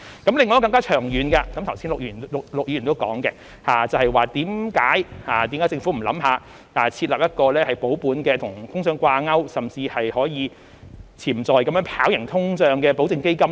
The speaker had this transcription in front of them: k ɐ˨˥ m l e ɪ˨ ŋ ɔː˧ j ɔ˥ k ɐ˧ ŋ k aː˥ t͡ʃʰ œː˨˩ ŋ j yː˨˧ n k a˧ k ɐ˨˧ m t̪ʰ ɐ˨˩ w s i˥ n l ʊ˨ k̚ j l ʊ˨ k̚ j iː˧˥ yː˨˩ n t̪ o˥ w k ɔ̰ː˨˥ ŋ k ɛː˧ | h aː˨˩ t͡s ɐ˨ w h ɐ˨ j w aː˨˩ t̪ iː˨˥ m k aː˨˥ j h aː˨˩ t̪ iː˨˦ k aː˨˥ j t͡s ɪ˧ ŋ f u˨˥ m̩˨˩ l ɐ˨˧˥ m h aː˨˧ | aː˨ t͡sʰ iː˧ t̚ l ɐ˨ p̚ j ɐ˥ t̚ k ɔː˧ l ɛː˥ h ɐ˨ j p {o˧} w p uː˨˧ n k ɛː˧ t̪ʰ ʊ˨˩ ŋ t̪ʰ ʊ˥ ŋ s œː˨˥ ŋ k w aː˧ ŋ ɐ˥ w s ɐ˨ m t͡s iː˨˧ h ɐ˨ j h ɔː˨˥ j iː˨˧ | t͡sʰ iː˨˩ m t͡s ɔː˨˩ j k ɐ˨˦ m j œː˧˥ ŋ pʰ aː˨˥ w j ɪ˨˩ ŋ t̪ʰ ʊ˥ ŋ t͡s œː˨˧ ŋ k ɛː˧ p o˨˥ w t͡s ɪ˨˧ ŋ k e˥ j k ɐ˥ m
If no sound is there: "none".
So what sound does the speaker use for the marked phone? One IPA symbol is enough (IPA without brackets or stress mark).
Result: o˨˥